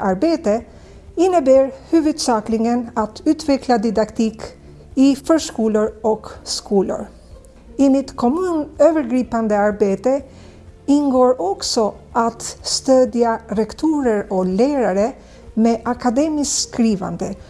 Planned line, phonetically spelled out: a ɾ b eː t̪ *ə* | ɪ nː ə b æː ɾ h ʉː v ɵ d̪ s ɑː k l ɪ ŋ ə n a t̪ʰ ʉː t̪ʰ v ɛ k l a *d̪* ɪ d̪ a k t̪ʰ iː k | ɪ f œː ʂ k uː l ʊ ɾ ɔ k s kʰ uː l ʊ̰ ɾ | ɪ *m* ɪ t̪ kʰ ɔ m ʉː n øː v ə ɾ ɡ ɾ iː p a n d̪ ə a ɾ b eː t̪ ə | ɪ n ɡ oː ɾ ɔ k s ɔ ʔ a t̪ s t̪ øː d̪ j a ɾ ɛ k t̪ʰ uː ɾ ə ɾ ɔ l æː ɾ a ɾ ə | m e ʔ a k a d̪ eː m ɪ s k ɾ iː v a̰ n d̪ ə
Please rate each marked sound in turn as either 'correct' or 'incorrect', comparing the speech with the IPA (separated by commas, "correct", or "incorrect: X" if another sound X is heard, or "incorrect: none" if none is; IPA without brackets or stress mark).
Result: correct, correct, correct